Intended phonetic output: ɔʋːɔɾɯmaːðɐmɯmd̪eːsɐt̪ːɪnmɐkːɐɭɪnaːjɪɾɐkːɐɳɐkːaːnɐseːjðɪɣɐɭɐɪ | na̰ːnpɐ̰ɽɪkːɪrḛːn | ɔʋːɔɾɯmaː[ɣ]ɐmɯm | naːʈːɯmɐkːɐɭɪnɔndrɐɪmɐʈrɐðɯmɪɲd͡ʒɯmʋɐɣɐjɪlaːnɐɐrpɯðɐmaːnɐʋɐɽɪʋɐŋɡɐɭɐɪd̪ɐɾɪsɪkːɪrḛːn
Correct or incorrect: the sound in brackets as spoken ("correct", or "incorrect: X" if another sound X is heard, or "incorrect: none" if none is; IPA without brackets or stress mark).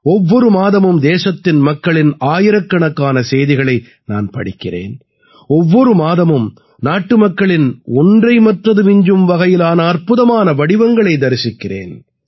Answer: incorrect: ð